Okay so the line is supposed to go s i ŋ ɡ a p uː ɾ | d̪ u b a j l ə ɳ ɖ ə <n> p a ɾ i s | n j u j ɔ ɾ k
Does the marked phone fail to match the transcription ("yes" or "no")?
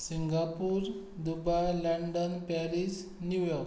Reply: no